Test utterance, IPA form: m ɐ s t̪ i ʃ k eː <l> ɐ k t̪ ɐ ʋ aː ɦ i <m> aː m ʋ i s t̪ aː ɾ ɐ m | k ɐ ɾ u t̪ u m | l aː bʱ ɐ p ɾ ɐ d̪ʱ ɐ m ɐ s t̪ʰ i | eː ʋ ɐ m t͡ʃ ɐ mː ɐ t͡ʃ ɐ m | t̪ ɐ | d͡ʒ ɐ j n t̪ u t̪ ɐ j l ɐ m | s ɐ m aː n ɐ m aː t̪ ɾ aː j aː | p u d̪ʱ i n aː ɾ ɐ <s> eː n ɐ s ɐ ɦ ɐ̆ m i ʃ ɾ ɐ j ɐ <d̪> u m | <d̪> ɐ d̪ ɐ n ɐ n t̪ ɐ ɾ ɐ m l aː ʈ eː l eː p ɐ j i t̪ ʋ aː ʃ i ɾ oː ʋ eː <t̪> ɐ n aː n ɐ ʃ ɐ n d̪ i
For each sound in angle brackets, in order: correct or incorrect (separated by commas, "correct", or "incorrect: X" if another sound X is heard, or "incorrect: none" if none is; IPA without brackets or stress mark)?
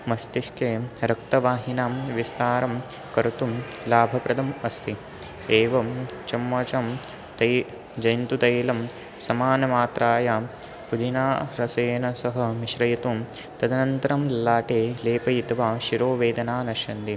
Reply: incorrect: ɾ, incorrect: n, correct, incorrect: t̪, incorrect: t̪, incorrect: d̪